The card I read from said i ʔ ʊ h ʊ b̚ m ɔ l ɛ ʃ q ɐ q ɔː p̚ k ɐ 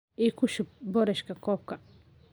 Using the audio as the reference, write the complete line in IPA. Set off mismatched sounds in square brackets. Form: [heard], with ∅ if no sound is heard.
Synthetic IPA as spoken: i [k] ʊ [ʃ] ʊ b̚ [b] ɔ [ɾ] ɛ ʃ [k] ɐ [k] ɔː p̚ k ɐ